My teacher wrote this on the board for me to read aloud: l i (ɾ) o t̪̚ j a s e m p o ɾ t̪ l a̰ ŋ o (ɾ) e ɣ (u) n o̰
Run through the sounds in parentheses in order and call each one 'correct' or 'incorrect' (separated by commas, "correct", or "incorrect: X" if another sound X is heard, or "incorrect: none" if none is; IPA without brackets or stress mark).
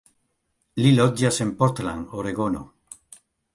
incorrect: l, correct, incorrect: o